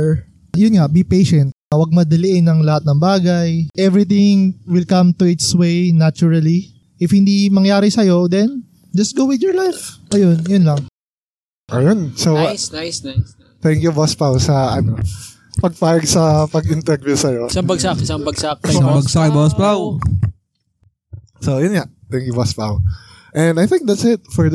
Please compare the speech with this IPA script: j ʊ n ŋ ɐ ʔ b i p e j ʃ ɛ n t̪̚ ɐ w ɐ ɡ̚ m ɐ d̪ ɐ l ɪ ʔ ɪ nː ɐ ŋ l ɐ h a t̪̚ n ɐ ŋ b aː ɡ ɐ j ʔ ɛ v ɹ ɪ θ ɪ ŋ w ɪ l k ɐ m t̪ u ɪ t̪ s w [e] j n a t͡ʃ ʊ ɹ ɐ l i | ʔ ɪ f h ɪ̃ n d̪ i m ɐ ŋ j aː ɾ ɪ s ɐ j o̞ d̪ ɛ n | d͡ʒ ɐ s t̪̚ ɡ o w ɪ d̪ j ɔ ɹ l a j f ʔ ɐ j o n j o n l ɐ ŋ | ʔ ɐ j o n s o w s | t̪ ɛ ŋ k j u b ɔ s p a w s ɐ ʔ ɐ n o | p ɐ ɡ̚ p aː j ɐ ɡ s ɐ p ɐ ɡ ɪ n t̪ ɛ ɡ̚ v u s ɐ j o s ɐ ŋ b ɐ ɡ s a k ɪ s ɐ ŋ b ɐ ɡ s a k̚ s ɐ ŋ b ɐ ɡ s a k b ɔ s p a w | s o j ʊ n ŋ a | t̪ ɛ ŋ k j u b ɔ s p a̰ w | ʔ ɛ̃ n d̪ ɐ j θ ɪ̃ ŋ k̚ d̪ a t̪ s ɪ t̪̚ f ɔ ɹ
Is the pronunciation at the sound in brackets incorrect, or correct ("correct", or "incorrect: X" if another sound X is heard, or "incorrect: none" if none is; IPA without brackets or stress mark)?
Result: correct